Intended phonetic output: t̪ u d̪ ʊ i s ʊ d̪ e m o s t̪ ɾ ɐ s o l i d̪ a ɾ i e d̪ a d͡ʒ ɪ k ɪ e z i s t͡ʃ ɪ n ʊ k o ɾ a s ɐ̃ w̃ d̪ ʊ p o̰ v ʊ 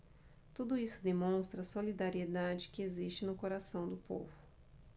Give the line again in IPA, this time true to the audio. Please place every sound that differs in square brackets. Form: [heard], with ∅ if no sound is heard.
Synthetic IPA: t̪ u d̪ ʊ i s ʊ d̪ e m [õ] s t̪ ɾ ɐ s o l i d̪ a ɾ i e d̪ a d͡ʒ ɪ k ɪ e z i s t͡ʃ ɪ n ʊ k o ɾ a s ɐ̃ w̃ d̪ ʊ p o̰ v ʊ